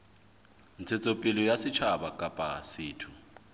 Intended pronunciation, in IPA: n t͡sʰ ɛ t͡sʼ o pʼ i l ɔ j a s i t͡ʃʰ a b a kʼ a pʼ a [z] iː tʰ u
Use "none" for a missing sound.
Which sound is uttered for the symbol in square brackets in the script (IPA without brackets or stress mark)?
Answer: s